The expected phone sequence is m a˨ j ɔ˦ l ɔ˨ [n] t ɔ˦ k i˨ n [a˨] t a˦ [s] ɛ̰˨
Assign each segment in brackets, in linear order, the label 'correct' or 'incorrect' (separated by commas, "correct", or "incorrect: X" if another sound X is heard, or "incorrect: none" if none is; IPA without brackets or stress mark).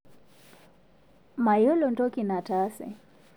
correct, correct, correct